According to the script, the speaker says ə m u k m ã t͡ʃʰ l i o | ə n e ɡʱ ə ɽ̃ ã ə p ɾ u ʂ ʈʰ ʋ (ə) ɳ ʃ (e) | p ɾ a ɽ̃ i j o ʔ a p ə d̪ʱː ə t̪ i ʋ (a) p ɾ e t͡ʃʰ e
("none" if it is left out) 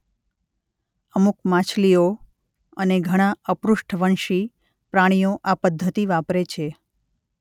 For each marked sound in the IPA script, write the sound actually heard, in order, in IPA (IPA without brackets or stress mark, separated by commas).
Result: ə, i, a